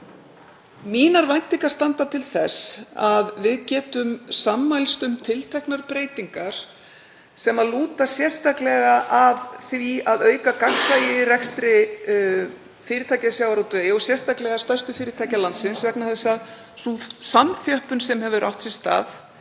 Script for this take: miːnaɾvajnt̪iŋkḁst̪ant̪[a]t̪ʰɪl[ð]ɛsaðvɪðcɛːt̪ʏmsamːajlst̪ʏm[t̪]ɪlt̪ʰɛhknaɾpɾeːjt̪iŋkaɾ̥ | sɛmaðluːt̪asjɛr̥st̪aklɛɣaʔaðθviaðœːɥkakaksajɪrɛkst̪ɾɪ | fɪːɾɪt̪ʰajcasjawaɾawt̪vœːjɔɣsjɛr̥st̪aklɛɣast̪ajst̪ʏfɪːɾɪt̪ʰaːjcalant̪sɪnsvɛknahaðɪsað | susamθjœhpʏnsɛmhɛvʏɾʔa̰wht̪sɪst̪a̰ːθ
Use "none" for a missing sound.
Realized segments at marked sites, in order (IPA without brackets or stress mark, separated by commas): a, θ, t̪ʰ